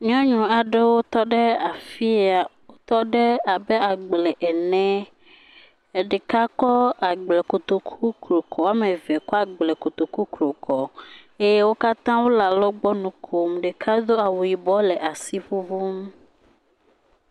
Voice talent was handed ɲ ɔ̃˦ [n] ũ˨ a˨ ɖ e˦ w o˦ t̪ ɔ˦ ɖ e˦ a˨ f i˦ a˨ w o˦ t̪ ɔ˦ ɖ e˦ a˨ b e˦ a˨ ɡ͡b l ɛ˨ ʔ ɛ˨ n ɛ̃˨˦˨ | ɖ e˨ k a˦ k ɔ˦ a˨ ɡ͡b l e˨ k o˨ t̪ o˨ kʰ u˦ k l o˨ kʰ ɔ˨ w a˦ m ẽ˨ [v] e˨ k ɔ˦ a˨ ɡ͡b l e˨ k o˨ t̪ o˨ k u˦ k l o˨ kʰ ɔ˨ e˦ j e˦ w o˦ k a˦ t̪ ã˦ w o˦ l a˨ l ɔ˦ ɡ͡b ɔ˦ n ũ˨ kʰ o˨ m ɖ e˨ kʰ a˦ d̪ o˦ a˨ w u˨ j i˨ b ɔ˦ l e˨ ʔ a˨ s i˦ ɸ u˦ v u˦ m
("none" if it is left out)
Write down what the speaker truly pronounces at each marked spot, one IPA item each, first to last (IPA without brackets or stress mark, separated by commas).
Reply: ɲ, v